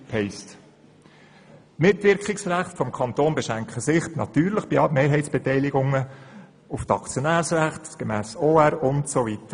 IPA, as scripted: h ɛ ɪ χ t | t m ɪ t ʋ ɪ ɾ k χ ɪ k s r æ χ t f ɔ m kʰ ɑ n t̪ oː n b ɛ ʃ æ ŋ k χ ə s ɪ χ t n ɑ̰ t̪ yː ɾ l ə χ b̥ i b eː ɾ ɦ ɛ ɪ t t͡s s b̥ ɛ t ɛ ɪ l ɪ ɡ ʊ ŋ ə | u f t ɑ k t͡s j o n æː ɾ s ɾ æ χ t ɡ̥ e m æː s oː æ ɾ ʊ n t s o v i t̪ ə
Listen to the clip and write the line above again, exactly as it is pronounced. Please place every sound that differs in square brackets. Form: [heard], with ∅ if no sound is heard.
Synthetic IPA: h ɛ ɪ [s] t | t m ɪ t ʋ ɪ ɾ k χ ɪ k s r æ χ t f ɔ m kʰ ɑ n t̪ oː n b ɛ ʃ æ ŋ k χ ə s ɪ χ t n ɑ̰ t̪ yː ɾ l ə χ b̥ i [m] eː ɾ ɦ ɛ ɪ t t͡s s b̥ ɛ t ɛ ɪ l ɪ ɡ ʊ ŋ ə | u f t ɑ k t͡s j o n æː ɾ s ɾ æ χ t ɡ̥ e m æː s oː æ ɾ ʊ n t s o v i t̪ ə